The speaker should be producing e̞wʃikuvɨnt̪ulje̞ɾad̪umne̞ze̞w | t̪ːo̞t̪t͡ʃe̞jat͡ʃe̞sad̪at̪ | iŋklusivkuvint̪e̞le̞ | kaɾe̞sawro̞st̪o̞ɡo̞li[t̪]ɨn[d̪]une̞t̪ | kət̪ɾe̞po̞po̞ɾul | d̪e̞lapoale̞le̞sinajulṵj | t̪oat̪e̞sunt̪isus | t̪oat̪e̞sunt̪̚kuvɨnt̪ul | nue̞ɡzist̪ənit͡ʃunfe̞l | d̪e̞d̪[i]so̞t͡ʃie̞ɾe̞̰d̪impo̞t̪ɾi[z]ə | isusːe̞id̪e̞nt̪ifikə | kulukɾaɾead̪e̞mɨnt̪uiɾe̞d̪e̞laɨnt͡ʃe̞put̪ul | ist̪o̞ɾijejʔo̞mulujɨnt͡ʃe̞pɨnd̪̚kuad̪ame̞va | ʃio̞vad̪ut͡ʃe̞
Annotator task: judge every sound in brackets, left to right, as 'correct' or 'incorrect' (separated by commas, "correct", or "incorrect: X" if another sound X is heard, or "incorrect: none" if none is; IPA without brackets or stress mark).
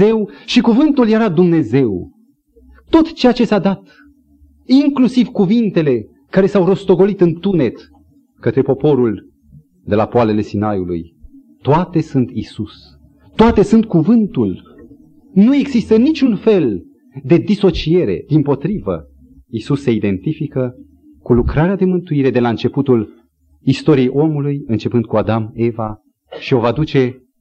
correct, incorrect: t̪, correct, incorrect: v